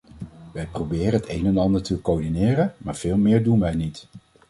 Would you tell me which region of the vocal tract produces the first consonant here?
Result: lips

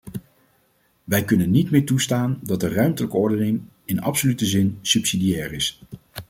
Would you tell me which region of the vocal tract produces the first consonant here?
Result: lips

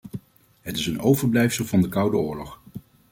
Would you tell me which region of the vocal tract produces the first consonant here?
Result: throat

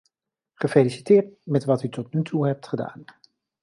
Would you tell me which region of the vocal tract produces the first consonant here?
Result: uvula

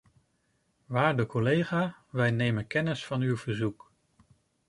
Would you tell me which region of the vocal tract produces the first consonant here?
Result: lips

